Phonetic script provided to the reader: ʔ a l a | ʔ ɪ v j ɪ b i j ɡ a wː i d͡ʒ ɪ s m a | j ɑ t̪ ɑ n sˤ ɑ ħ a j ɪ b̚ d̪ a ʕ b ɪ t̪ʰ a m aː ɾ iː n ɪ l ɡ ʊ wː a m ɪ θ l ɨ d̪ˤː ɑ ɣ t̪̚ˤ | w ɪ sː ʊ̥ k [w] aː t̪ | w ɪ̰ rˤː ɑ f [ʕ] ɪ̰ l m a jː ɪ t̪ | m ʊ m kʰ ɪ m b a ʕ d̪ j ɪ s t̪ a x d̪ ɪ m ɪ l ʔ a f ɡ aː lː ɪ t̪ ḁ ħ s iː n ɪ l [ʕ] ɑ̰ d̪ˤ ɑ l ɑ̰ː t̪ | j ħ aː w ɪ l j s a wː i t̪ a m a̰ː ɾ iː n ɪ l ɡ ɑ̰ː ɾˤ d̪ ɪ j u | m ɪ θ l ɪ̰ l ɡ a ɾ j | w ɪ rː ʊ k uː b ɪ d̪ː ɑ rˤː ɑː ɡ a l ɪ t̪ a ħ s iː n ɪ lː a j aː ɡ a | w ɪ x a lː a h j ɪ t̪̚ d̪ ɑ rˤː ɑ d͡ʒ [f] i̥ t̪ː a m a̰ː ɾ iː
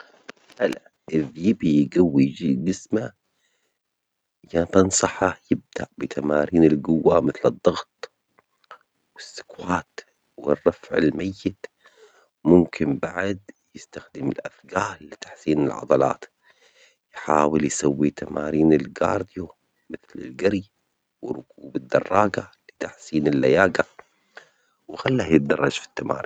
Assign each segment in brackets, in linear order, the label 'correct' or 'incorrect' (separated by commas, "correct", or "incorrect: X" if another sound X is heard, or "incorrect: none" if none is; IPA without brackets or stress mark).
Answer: correct, correct, correct, correct